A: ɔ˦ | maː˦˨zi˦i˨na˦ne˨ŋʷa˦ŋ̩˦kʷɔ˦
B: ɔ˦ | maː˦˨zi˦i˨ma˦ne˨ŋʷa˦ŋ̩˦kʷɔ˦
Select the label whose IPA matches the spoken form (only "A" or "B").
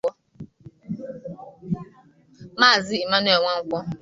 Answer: B